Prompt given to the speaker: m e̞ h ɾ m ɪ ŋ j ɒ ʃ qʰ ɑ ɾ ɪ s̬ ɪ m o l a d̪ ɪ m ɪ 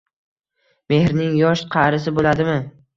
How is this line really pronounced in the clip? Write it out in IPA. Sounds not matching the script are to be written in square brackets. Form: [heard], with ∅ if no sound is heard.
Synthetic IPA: m e̞ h ɾ [n] ɪ ŋ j ɒ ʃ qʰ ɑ ɾ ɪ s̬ ɪ [b] o l a d̪ ɪ m ɪ